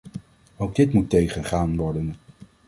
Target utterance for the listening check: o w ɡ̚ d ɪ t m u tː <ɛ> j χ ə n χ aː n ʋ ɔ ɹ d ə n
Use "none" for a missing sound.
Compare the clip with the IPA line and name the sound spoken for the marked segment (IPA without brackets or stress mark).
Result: e